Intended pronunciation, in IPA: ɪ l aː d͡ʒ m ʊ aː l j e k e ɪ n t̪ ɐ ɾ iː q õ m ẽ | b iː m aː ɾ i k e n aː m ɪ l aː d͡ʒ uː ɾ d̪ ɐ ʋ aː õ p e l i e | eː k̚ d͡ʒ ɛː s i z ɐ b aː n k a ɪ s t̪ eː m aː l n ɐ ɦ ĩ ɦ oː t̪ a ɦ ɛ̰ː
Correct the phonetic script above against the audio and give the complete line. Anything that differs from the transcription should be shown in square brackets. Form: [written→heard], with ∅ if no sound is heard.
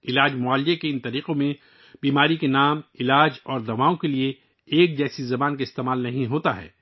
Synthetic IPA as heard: ɪ l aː d͡ʒ m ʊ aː l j e k e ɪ n t̪ ɐ ɾ iː q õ m ẽ | b iː m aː ɾ i k e n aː m ɪ l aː d͡ʒ [uː→ɔː] ɾ d̪ ɐ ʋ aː õ [p→k] e l i e | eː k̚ d͡ʒ ɛː s i z ɐ b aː n k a ɪ s t̪ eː m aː l n ɐ ɦ ĩ ɦ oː t̪ a ɦ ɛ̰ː